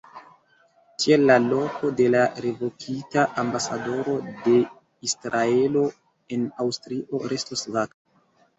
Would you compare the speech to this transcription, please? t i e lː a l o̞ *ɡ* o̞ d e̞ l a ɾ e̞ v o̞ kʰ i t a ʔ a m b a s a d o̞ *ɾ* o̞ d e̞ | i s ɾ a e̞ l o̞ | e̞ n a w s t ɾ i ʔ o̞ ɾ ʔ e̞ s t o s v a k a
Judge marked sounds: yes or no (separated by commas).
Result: no, yes